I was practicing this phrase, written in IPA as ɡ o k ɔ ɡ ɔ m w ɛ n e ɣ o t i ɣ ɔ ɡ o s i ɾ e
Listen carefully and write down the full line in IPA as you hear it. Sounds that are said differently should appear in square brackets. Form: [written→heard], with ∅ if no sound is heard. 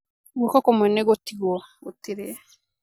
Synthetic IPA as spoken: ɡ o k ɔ [ɡ→k] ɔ m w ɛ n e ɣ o t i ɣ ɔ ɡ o [s→t] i ɾ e